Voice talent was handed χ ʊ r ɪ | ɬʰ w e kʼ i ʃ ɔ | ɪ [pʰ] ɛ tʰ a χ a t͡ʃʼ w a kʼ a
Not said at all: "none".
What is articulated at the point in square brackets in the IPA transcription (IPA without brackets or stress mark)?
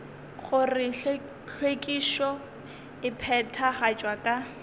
pʰ